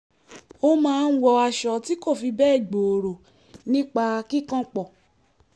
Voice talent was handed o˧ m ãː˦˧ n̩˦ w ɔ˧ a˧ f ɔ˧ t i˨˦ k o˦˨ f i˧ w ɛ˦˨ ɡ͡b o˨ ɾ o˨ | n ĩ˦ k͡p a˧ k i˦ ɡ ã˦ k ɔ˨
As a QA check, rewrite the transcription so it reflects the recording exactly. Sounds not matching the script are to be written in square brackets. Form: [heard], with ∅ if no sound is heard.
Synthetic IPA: o˧ m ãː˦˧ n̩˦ w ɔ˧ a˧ [ʃ] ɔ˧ t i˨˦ k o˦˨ f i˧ [b] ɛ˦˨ ɡ͡b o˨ ɾ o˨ | n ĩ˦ k͡p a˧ k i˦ [k] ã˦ [k͡p] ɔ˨